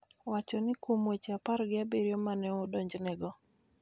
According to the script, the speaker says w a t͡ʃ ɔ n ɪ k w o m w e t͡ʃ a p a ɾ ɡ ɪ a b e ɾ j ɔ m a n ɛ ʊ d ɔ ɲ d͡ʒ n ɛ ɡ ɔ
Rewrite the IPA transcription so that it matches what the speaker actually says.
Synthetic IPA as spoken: w a t͡ʃ ɔ n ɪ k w o m w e t͡ʃ a p a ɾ ɡ ɪ a b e ɾ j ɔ m a n ɛ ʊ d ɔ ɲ d͡ʒ n ɛ ɡ ɔ